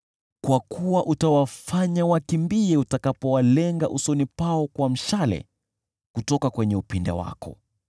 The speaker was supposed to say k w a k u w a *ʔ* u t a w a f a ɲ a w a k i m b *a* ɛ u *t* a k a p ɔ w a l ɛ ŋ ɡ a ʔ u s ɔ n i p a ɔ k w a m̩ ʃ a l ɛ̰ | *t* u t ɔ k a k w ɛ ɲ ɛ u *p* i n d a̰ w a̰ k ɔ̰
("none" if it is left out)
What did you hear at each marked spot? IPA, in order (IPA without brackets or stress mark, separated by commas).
ʔ, i, t, k, p